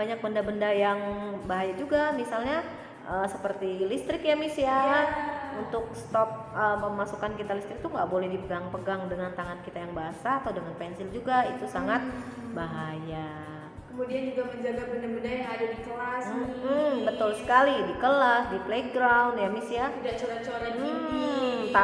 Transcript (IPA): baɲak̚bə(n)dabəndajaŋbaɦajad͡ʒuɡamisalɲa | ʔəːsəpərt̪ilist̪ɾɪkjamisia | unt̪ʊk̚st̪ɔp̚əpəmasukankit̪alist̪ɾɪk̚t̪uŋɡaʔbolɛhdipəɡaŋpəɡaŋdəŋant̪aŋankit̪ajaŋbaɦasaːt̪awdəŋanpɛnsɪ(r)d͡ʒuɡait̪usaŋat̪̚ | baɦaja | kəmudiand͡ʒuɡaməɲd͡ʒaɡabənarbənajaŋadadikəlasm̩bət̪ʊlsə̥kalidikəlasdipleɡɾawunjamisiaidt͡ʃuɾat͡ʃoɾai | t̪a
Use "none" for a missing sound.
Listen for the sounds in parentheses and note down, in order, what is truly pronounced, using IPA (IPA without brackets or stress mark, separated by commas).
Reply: n, l